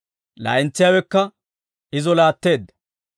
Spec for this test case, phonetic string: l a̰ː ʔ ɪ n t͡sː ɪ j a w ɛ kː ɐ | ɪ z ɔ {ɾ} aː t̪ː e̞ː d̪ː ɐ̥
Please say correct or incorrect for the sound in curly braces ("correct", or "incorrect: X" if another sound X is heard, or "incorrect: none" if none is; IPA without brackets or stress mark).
incorrect: l